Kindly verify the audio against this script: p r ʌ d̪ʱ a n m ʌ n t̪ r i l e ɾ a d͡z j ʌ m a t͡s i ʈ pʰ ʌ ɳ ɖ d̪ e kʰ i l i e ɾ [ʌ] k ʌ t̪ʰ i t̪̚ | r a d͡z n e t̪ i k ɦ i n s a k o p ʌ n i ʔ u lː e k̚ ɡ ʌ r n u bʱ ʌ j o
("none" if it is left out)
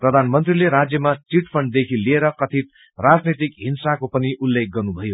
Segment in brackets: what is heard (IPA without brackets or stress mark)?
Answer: ʌ